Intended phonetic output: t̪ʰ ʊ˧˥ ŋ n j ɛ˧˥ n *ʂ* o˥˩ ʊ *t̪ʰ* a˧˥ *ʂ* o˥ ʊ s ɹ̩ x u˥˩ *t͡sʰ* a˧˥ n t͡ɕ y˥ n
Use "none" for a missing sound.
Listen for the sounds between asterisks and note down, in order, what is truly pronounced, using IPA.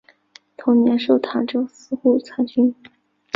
ʂ, t̪ʰ, ʈ͡ʂ, t͡sʰ

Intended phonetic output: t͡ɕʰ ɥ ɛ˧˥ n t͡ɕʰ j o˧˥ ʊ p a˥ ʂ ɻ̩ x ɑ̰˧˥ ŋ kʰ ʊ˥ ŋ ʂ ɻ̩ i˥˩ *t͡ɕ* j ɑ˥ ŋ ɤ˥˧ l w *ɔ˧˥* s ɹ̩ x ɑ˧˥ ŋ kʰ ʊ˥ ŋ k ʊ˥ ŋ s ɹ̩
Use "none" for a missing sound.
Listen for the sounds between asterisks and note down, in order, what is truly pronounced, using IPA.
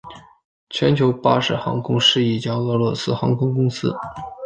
t͡ɕ, ɔ˥˩

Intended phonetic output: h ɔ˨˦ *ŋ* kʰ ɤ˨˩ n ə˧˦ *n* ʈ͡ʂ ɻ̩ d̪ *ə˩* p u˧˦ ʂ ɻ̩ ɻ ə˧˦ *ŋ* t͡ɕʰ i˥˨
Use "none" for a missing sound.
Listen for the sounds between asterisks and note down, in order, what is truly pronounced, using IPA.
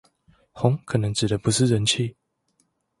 ŋ, ŋ, ə˧˦, n

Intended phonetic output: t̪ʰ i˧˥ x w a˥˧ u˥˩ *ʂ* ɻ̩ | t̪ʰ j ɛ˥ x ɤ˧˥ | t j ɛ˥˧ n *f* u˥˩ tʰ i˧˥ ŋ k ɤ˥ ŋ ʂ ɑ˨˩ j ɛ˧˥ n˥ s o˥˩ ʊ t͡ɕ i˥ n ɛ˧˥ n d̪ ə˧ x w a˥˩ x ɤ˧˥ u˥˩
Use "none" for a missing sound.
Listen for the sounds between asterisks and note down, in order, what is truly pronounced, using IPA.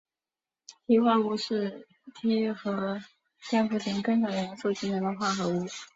ʂ, f

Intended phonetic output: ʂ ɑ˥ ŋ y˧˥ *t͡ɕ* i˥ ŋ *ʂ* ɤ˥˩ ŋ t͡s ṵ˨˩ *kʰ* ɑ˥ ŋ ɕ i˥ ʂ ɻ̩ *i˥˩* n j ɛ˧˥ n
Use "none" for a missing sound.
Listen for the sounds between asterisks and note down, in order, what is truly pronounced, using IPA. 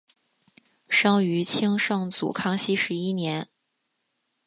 t͡ɕʰ, ʂ, kʰ, i˥

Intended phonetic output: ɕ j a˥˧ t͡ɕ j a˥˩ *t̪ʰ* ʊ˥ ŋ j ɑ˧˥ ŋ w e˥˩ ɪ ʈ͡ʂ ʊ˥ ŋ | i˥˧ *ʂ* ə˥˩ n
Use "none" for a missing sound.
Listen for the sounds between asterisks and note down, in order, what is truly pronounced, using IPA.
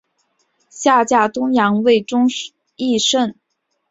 t̪, ʂ

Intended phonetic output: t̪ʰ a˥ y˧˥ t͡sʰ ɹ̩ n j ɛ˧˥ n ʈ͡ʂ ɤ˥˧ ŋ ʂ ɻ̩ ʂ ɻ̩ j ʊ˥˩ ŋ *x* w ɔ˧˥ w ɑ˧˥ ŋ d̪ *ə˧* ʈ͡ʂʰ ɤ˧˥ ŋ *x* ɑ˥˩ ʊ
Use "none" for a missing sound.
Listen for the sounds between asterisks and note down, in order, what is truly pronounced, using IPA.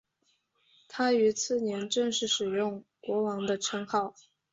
k, ə˧, x

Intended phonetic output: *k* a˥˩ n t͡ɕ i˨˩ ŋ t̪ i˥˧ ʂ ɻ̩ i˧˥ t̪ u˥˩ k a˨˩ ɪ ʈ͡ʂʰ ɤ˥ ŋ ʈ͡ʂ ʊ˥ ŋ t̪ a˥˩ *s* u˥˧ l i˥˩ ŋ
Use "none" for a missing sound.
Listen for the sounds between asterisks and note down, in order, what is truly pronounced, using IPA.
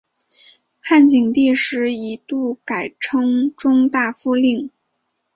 x, f

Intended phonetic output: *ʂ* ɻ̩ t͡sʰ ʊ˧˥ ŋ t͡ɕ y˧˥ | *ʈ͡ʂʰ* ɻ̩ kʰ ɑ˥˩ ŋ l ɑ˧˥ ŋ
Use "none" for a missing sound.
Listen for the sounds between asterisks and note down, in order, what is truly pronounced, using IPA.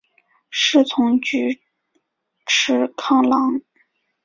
ʂ, ʈ͡ʂʰ

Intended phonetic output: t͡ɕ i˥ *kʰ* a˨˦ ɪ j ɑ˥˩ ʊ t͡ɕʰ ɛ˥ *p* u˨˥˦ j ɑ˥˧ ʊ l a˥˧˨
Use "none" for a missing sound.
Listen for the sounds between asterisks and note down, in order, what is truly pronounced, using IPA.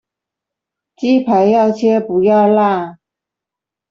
pʰ, p

